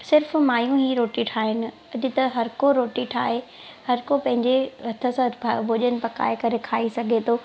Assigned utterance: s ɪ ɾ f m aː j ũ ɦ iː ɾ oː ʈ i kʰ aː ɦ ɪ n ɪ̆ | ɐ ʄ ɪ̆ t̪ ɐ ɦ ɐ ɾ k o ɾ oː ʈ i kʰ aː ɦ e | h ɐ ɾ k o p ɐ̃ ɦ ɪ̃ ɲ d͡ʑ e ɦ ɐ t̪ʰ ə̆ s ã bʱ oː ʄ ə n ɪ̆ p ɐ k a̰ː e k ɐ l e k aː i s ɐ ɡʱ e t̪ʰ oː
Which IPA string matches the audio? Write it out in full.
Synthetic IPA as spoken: s ɪ ɾ f m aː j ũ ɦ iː ɾ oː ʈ i ʈʰ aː ɦ ɪ n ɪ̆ | ɐ ʄ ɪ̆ t̪ ɐ ɦ ɐ ɾ k o ɾ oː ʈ i ʈʰ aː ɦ e | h ɐ ɾ k o p ɐ̃ ɦ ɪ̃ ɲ d͡ʑ e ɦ ɐ t̪ʰ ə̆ s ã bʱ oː ʄ ə n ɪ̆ p ɐ k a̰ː e k ɐ ɾ e kʰ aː i s ɐ ɡʱ e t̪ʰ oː